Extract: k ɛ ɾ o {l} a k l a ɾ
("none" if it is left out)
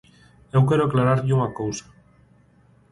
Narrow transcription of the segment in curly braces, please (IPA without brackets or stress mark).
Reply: none